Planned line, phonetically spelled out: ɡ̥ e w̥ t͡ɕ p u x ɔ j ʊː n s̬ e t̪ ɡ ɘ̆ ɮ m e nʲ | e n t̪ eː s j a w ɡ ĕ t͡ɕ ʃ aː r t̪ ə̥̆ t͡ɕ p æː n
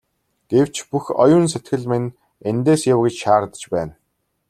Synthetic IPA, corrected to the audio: ɡ̥ e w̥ t͡ɕ p u x ɔ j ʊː n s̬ e t̪ ɡ ɘ̆ ɮ m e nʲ | e n t̪ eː s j a w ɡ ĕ t͡ɕ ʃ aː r t̪ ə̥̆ t͡ɕ p æː n